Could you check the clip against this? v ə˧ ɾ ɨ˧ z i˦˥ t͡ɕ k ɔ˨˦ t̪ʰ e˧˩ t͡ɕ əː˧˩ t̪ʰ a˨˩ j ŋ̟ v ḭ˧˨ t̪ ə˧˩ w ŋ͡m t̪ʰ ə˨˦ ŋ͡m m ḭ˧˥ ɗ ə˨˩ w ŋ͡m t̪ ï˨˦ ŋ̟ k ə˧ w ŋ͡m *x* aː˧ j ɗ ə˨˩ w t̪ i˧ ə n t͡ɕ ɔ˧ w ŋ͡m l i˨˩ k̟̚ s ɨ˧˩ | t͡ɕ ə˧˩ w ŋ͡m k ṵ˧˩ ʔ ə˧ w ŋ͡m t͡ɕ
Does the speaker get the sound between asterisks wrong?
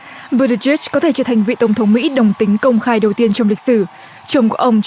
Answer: no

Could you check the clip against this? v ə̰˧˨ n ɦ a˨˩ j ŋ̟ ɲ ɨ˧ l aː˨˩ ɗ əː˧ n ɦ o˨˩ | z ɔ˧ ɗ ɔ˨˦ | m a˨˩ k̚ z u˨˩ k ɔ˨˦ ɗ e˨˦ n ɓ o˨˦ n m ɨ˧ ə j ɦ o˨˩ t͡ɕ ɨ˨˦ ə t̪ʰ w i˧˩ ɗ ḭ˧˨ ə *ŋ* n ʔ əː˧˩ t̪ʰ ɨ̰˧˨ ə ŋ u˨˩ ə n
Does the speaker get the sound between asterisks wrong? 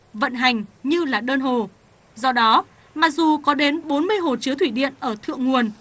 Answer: yes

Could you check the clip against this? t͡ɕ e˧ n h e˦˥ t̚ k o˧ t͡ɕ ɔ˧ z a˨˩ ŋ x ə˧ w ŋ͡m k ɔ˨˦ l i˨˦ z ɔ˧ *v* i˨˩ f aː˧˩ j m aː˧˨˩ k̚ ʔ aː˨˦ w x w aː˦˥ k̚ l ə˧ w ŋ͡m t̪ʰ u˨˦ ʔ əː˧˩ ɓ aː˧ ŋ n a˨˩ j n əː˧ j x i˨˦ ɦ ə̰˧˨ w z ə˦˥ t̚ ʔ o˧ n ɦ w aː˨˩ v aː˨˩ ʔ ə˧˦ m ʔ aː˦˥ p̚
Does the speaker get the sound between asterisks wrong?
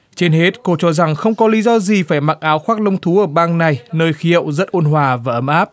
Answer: yes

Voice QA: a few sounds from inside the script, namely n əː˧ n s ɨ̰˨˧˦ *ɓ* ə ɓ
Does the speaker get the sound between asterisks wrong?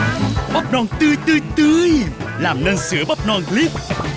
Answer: yes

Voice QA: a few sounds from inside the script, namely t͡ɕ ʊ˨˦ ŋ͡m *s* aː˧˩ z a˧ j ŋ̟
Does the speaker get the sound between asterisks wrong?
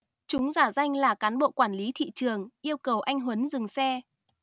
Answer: yes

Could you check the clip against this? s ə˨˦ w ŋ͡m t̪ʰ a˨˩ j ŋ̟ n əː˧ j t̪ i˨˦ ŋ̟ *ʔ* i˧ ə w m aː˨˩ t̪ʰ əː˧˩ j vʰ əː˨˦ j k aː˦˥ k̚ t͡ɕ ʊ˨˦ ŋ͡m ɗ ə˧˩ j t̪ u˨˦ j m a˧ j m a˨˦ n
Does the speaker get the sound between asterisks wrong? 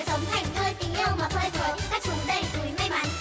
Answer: no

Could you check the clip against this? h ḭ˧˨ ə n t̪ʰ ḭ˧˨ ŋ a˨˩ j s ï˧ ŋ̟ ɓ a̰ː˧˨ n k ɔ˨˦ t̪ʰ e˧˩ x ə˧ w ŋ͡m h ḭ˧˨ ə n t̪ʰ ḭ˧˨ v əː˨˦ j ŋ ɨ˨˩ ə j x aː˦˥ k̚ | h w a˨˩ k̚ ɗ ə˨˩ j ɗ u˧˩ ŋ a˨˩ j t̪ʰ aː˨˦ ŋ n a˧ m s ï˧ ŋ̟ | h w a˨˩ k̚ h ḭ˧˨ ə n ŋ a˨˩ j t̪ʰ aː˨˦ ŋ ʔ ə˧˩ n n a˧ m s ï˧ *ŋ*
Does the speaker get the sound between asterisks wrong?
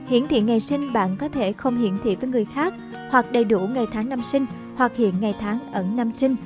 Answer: no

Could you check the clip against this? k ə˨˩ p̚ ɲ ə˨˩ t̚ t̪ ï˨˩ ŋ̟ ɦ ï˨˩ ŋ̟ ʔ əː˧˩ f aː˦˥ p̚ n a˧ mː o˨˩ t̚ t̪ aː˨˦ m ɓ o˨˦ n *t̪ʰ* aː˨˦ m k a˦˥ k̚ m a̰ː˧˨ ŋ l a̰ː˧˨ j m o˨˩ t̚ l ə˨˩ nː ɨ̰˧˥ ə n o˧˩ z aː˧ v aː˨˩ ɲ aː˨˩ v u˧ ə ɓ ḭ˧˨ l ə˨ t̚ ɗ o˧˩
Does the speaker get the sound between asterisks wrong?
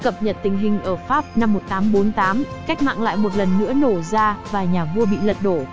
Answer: yes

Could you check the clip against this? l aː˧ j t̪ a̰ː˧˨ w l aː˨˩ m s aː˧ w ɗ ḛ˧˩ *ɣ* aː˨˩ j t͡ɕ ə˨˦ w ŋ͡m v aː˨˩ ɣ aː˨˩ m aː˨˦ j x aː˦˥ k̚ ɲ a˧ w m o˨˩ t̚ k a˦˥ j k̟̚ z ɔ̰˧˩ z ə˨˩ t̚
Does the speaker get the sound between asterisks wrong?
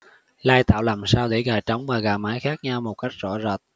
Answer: no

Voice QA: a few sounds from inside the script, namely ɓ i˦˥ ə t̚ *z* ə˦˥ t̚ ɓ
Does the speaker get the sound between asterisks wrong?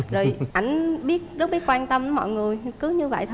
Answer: no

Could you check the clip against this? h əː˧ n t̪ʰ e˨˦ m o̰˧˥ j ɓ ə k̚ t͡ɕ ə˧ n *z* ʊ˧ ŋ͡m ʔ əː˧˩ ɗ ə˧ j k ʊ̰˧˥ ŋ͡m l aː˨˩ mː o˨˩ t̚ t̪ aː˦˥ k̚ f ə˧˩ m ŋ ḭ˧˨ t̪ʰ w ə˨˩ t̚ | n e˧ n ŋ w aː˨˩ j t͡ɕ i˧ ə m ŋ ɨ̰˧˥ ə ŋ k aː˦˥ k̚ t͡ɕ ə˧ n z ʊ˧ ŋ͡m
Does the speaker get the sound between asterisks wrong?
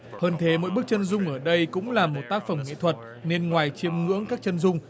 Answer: no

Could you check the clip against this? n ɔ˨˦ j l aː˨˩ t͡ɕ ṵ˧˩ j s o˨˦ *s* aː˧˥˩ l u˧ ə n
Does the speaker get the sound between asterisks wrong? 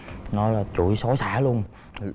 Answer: no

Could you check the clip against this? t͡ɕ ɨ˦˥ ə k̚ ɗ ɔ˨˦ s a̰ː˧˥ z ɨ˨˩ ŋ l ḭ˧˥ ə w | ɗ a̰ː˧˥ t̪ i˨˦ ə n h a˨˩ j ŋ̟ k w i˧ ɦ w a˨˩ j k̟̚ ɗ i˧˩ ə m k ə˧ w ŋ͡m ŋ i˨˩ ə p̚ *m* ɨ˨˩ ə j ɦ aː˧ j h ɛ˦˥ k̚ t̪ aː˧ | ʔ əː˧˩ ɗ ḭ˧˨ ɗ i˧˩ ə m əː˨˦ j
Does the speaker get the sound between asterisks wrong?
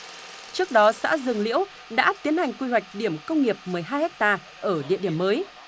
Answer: no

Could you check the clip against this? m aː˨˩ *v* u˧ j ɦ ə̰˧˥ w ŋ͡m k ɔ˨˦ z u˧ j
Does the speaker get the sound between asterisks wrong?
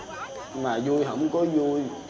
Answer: yes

